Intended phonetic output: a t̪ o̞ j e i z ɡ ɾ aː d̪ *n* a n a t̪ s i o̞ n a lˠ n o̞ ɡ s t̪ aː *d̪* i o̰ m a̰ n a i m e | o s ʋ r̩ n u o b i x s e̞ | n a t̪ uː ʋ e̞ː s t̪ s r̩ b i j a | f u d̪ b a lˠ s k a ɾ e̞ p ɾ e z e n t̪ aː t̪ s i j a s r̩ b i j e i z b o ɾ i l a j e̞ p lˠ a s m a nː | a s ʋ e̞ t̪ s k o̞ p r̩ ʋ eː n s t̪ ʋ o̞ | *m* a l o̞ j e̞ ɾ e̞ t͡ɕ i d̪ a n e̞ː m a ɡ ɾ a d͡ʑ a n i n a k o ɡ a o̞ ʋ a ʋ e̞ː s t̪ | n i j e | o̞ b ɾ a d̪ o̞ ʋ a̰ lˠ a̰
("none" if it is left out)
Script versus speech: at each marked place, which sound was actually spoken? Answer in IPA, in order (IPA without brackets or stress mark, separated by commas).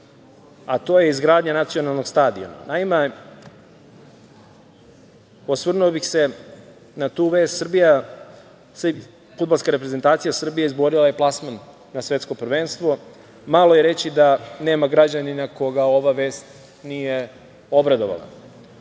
ɲ, d̪, m